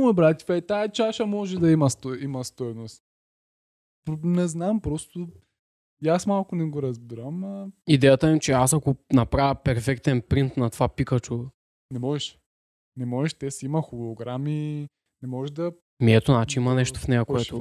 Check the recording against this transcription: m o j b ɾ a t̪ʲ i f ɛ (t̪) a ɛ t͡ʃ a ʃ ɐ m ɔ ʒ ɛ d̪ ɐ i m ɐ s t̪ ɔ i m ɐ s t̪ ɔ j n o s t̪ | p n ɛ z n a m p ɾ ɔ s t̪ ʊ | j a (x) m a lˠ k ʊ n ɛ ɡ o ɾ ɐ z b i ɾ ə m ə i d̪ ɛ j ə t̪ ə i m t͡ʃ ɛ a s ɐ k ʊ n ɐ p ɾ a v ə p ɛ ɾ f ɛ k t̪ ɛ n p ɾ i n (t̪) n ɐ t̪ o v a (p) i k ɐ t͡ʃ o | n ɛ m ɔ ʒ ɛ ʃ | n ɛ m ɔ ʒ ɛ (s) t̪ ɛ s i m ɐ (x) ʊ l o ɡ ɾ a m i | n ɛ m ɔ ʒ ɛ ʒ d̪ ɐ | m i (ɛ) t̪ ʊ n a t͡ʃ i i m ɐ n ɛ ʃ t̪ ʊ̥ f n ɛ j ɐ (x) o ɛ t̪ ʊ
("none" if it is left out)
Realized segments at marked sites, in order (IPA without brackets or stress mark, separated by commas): t̪, s, t̪, p, ʃ, x, ɛ, k